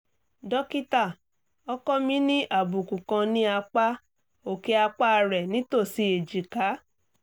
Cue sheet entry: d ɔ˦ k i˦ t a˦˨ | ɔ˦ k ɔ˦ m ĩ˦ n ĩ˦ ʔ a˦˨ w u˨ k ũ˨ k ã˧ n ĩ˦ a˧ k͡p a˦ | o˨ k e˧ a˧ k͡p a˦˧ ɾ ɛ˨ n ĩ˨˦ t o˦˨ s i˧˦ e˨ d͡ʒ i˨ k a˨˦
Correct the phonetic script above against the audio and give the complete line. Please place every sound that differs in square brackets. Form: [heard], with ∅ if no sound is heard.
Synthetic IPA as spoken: d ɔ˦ k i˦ t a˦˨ | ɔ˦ k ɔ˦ m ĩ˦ n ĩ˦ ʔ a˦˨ [b] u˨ k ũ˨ k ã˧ n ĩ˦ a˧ k͡p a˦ | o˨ k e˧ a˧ k͡p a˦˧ ɾ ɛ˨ n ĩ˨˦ t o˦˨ s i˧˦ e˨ d͡ʒ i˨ k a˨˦